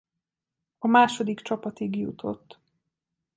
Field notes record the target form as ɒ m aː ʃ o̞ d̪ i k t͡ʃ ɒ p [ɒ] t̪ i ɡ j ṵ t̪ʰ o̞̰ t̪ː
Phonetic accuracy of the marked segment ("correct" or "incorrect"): correct